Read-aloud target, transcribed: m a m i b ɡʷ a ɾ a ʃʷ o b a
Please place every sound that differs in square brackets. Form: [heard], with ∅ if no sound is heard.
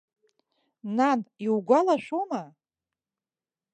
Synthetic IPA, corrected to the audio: [n] a [n] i [w] ɡʷ a [l] a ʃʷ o [m] a